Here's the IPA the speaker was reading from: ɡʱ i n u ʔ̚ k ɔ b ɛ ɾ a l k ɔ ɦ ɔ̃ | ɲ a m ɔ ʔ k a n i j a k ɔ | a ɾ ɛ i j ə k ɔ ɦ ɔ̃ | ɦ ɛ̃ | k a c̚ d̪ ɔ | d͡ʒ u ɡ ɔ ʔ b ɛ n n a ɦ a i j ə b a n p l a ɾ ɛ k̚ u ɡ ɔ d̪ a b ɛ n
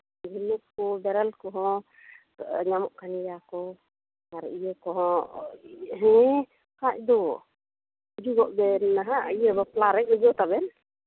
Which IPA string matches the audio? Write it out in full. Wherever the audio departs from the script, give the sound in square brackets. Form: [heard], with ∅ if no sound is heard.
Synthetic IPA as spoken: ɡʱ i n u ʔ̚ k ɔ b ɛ ɾ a l k ɔ ɦ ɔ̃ | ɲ a m ɔ ʔ k a n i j a k ɔ | a ɾ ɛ i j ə k ɔ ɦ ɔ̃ | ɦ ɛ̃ | k a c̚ d̪ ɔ | d͡ʒ u ɡ ɔ ʔ b ɛ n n a ɦ a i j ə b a [∅] p l a ɾ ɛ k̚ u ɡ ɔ [t̪] a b ɛ n